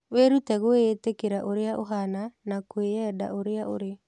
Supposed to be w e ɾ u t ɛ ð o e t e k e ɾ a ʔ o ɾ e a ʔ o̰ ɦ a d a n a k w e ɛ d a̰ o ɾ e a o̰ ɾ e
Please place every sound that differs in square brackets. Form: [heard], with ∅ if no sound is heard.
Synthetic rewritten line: w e ɾ u t ɛ [ɣ] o e t e k e ɾ a ʔ o ɾ e a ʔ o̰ ɦ a [n] a n a k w e ɛ d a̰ o ɾ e a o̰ ɾ e